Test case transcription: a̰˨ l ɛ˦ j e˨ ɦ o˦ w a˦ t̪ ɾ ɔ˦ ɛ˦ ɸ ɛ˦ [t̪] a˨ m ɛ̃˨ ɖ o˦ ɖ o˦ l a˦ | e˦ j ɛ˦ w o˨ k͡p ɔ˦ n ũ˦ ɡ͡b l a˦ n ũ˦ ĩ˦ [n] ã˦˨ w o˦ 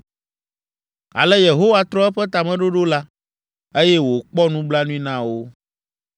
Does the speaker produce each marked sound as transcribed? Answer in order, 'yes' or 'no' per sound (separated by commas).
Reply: yes, yes